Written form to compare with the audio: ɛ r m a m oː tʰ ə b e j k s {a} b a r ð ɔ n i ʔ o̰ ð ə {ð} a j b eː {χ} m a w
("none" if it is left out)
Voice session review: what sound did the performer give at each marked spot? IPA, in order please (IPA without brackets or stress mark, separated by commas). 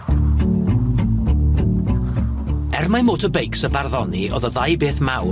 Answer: ə, ð, θ